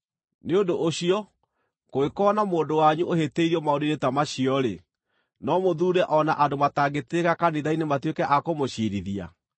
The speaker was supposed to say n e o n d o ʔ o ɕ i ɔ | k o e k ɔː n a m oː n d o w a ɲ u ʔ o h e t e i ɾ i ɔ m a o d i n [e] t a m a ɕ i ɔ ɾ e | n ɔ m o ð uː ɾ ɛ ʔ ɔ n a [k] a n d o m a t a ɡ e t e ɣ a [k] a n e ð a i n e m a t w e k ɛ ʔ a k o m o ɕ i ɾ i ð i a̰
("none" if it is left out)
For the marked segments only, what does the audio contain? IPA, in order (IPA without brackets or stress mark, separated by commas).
e, ʔ, k